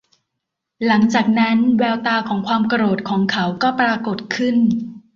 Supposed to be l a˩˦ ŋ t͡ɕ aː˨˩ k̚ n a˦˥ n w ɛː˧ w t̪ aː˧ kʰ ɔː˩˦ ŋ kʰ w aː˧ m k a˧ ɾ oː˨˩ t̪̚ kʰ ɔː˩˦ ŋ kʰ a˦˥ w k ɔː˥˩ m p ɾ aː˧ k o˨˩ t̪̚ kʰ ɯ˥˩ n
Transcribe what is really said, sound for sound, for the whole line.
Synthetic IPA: l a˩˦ ŋ t͡ɕ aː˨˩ k̚ n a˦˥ n w ɛː˧ w t̪ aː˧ kʰ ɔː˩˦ ŋ kʰ w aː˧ m k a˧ ɾ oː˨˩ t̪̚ kʰ ɔː˩˦ ŋ kʰ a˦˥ w k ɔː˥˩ p ɾ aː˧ k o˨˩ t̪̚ kʰ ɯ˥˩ n

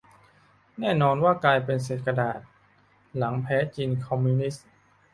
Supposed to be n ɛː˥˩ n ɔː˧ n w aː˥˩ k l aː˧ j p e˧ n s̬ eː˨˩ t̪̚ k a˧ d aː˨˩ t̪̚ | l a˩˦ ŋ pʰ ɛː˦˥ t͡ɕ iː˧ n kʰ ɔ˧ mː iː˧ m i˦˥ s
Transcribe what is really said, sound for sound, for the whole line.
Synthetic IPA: n ɛː˥˩ n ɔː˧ n w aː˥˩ k l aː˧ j p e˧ n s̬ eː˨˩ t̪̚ k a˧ d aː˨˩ t̪̚ | l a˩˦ ŋ pʰ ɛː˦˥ t͡ɕ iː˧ n kʰ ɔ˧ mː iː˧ n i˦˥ s

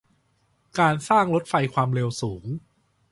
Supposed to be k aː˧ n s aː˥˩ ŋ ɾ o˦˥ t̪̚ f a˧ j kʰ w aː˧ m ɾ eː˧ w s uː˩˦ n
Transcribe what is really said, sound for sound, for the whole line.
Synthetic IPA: k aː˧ n s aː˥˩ ŋ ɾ o˦˥ t̪̚ f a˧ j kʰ w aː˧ m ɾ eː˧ w s uː˩˦ ŋ

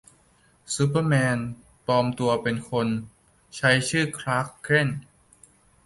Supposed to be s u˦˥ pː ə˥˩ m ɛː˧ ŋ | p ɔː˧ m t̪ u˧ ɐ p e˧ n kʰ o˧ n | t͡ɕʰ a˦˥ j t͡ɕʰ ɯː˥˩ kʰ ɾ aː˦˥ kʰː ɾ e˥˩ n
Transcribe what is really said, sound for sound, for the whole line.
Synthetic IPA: s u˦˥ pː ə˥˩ m ɛː˧ n | p ɔː˧ m t̪ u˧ ɐ p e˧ n kʰ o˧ n | t͡ɕʰ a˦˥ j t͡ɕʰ ɯː˥˩ kʰ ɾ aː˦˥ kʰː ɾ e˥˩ n

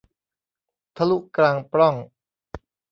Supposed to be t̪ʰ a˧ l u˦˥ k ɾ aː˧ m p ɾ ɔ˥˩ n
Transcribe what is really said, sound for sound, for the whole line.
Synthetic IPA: t̪ʰ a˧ l u˦˥ k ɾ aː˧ ŋ p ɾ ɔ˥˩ ŋ

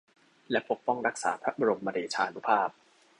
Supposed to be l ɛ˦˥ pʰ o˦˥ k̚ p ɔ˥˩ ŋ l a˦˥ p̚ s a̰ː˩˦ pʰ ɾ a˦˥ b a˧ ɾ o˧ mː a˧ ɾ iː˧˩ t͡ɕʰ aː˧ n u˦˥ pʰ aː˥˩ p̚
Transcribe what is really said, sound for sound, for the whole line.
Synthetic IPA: l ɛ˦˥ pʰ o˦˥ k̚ p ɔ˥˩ ŋ ɾ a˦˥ k̚ s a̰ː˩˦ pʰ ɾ a˦˥ b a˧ ɾ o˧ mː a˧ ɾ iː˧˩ t͡ɕʰ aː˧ n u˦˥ pʰ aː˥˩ p̚

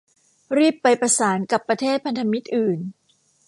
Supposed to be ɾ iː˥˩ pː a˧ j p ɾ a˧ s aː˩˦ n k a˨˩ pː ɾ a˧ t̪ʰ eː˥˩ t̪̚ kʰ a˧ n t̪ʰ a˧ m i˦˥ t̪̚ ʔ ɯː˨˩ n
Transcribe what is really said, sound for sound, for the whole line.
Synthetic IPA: ɾ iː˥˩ pː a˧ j p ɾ a˧ s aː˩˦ n k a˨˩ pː ɾ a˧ t̪ʰ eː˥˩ t̪̚ pʰ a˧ n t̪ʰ a˧ m i˦˥ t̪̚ ʔ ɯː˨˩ n

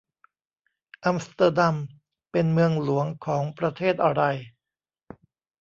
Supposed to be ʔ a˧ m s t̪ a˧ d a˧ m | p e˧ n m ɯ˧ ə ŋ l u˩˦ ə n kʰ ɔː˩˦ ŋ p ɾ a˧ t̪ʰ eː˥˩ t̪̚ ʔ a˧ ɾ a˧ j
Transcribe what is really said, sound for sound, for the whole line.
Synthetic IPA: ʔ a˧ m s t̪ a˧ d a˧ m | p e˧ n m ɯ˧ ə ŋ l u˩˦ ə ŋ kʰ ɔː˩˦ ŋ p ɾ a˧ t̪ʰ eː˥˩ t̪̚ ʔ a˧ ɾ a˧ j

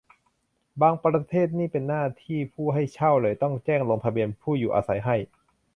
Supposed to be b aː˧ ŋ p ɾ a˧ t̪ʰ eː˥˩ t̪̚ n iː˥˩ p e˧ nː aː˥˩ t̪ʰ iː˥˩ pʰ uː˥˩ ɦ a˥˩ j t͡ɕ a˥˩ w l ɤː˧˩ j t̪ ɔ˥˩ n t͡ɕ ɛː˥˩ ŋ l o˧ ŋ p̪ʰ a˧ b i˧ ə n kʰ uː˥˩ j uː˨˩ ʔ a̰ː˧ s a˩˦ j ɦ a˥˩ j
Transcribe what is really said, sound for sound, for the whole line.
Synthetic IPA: b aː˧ ŋ p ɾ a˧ t̪ʰ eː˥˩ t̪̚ n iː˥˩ p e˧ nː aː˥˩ t̪ʰ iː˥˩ pʰ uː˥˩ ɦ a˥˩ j t͡ɕʰ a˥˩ w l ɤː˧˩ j t̪ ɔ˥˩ ŋ t͡ɕ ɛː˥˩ ŋ l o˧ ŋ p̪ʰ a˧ b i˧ ə n pʰ uː˥˩ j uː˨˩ ʔ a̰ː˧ s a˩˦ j ɦ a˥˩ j

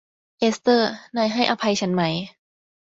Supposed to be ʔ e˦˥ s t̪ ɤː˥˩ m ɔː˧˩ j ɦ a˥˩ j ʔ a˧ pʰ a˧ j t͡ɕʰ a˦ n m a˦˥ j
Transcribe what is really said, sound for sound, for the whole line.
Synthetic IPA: ʔ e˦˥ s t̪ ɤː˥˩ n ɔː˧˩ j ɦ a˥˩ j ʔ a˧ pʰ a˧ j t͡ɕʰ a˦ n m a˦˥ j

